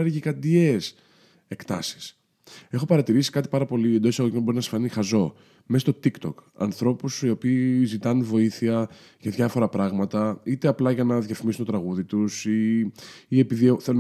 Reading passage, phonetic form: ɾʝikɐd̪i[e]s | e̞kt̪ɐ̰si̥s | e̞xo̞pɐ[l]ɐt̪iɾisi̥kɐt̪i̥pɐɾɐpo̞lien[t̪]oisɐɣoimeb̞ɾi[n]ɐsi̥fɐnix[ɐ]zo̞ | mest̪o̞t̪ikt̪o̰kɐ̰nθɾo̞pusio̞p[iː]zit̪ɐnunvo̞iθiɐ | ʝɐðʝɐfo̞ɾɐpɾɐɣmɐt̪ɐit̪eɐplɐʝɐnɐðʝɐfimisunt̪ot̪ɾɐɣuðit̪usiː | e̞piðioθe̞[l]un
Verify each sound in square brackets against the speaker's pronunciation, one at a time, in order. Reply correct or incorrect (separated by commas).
correct, incorrect, incorrect, correct, correct, correct, correct